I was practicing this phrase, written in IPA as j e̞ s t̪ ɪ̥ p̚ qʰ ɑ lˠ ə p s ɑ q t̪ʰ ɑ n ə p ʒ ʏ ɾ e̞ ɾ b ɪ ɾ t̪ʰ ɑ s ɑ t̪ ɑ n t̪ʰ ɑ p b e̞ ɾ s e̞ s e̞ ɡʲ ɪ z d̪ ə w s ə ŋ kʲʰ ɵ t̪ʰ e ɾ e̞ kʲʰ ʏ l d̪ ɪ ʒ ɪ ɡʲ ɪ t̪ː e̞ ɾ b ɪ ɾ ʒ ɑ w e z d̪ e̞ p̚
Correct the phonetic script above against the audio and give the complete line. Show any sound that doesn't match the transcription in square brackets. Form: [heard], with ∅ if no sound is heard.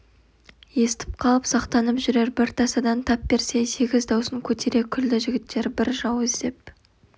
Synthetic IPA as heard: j e̞ s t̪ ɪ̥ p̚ qʰ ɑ lˠ ə p s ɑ q [t̪] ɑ n ə p ʒ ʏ ɾ e̞ ɾ b ɪ ɾ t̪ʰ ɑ s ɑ [d̪] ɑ n t̪ʰ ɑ p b e̞ ɾ s e̞ s e̞ ɡʲ ɪ z d̪ [ɑ] w s ə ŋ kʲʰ ɵ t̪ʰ e ɾ e̞ kʲʰ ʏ l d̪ ɪ ʒ ɪ ɡʲ ɪ t̪ː e̞ ɾ b ɪ ɾ ʒ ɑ w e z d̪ e̞ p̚